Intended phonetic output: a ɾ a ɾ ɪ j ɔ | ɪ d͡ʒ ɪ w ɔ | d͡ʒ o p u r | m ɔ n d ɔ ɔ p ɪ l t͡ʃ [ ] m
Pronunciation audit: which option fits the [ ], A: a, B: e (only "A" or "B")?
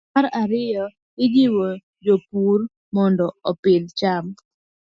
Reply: A